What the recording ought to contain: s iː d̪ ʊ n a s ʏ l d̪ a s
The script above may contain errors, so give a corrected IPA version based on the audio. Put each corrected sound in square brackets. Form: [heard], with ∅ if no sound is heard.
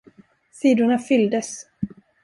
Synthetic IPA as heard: s iː d̪ ʊ [ɳ] a [f] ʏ l d̪ [ə] s